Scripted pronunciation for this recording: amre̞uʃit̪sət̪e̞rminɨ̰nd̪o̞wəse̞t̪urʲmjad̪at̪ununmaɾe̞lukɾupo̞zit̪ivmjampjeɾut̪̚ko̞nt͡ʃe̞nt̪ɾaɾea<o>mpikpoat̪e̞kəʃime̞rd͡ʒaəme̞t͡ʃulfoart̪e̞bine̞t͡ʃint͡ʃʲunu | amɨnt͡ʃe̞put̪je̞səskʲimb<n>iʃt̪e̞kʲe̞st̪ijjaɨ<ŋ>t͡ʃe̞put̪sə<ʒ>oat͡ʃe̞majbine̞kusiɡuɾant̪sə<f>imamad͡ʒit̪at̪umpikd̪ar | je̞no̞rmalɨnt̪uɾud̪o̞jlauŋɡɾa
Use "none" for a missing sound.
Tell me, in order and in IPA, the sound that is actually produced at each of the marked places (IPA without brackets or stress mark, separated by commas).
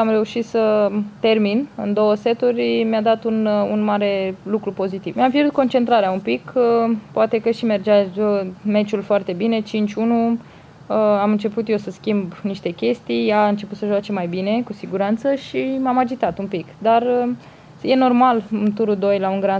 u, n, n, ʒ, ʃ